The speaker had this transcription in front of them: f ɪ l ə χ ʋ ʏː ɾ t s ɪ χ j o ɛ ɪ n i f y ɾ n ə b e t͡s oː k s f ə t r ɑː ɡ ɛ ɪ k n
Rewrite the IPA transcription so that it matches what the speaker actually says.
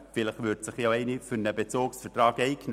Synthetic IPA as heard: f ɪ l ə χ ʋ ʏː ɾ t s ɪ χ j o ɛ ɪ n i f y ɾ n ə b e t͡s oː k s f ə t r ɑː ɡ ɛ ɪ k n

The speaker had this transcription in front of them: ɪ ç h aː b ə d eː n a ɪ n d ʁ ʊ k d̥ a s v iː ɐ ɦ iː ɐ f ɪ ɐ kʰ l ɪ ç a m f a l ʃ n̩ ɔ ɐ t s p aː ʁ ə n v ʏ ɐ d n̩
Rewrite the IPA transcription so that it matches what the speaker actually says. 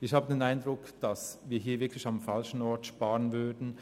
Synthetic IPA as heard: ɪ ç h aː b ə d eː n a ɪ n d ʁ ʊ k d̥ a s v iː ɐ ɦ iː ɐ v ɪ ɐ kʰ l ɪ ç a m f a l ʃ n̩ ɔ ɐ t ʃ p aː ʁ ə n v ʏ ɐ d n̩

